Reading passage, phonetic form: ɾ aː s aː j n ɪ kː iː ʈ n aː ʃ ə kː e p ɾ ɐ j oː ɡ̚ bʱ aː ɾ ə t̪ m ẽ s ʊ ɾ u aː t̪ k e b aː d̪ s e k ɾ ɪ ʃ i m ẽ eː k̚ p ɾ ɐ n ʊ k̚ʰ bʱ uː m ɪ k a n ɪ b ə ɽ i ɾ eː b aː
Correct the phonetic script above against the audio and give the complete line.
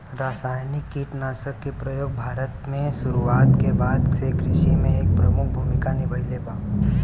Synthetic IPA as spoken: ɾ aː s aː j n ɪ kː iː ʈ n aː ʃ ə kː e p ɾ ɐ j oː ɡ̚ bʱ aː ɾ ə t̪ m ẽ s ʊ ɾ u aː t̪ k e b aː d̪ s e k ɾ ɪ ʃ i m ẽ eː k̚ p ɾ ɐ m ʊ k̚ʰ bʱ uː m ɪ k a n ɪ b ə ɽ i l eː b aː